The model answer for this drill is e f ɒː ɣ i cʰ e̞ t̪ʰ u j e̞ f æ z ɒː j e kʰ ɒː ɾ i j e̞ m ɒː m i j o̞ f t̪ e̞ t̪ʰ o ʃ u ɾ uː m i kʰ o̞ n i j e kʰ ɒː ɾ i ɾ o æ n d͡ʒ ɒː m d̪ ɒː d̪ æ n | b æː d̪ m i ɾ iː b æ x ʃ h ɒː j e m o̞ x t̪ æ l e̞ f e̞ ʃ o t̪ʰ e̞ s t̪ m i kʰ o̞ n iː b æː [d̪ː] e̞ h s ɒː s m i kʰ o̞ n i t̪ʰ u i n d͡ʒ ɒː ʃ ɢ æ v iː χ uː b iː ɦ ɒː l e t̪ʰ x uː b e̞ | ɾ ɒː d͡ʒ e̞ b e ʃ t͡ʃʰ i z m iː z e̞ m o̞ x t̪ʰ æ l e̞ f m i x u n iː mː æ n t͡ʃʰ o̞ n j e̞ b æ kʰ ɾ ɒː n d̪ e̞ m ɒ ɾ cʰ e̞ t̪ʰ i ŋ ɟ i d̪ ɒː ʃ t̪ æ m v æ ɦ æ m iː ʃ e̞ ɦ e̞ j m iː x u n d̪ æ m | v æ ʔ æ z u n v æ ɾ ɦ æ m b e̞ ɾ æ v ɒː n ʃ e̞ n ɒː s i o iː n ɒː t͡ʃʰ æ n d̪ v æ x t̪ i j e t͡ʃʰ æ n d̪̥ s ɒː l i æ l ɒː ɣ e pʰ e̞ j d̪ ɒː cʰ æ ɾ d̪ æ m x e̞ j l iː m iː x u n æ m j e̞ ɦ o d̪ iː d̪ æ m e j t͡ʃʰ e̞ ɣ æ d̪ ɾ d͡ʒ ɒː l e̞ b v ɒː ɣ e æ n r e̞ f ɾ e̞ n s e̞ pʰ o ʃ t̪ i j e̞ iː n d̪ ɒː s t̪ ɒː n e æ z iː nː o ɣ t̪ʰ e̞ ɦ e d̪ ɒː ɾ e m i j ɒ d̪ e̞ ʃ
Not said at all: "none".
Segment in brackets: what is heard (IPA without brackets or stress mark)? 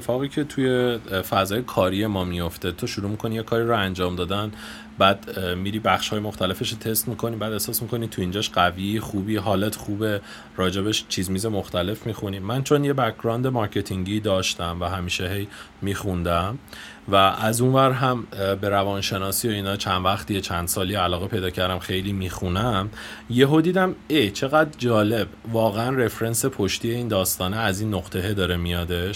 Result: d̪